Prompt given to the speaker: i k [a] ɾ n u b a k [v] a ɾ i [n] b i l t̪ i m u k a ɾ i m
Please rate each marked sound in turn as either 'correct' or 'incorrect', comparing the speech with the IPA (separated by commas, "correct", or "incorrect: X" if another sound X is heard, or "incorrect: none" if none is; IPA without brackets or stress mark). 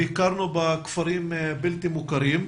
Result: correct, incorrect: f, incorrect: m